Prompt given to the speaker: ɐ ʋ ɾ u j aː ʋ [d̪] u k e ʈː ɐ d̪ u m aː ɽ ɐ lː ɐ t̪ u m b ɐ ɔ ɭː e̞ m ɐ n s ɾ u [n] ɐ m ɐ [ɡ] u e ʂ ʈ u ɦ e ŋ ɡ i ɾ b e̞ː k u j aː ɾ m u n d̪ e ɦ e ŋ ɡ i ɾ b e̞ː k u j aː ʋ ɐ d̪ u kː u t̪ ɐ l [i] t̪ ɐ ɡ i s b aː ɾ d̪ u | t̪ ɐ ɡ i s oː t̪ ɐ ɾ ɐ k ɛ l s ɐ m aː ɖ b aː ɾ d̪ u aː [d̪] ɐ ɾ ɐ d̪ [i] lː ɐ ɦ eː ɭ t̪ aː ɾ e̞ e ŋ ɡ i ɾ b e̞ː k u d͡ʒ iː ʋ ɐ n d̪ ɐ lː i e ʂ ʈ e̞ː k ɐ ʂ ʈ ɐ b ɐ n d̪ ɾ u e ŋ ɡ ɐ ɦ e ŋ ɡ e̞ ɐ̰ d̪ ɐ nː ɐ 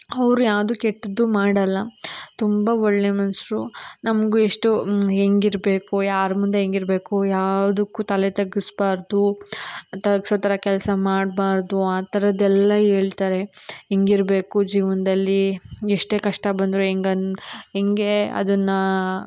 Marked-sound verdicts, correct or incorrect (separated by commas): correct, correct, correct, incorrect, incorrect, incorrect